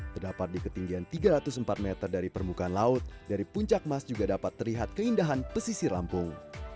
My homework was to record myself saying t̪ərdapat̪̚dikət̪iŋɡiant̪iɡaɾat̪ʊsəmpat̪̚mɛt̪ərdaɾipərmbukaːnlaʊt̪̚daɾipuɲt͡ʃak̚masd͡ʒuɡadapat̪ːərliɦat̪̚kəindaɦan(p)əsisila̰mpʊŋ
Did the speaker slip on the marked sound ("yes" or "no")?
no